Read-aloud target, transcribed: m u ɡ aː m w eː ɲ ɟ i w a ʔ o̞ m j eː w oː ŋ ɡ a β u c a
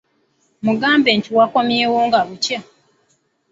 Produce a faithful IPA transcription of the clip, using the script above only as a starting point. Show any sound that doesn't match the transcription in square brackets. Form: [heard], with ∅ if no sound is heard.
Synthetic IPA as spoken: m u ɡ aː m [b] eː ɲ [c] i w a [k] o̞ m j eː w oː ŋ ɡ a β u c a